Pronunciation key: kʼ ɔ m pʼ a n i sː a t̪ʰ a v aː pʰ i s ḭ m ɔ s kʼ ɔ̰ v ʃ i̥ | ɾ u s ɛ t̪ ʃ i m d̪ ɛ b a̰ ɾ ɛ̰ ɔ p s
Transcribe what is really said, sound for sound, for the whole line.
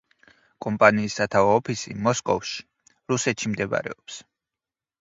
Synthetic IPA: kʼ ɔ m pʼ a n iː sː a t̪ʰ a v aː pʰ i s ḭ m ɔ s kʼ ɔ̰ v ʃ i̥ | ɾ u s ɛ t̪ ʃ i m d̪ ɛ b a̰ ɾ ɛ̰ ɔ p s